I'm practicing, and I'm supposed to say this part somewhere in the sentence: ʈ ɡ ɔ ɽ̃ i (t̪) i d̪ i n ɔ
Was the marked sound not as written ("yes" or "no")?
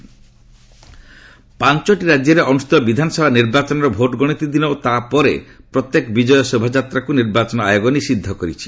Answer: no